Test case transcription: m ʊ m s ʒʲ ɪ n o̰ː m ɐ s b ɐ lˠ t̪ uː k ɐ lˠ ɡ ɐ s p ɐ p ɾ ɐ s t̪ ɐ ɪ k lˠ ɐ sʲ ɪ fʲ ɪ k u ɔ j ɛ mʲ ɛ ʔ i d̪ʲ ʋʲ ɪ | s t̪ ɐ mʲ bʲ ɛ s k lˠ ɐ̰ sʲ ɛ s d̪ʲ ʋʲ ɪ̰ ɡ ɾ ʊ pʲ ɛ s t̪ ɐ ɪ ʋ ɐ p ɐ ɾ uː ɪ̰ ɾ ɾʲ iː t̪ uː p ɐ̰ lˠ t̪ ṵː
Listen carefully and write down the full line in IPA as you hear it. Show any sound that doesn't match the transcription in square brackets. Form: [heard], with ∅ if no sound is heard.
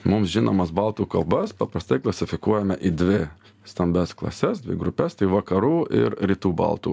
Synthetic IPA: m ʊ m s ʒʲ ɪ n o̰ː m ɐ s b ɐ lˠ t̪ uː k ɐ lˠ [b] ɐ s p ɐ p ɾ ɐ s t̪ ɐ ɪ k lˠ ɐ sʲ ɪ fʲ ɪ k u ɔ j ɛ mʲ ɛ ʔ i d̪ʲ ʋʲ ɪ | s t̪ ɐ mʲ bʲ ɛ s k lˠ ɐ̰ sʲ ɛ s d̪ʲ ʋʲ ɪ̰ ɡ ɾ ʊ pʲ ɛ s t̪ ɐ ɪ ʋ ɐ [k] ɐ ɾ uː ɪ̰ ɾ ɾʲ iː t̪ uː [b] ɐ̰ lˠ t̪ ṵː